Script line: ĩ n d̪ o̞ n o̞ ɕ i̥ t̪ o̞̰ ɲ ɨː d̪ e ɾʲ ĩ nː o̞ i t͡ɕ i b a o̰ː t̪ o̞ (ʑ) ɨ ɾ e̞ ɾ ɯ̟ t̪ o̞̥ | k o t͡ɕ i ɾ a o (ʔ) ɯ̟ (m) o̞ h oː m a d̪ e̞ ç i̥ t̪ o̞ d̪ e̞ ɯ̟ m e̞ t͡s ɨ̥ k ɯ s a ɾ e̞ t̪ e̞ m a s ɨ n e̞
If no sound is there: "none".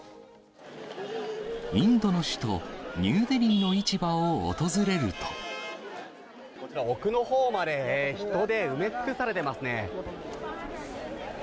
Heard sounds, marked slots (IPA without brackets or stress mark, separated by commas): z, k, n